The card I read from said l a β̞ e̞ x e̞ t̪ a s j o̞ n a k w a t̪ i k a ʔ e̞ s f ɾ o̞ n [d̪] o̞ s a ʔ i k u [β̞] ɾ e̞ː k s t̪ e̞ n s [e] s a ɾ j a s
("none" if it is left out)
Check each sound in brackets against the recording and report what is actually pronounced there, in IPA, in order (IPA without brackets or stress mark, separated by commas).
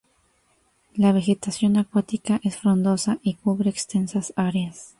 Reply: d̪, β̞, a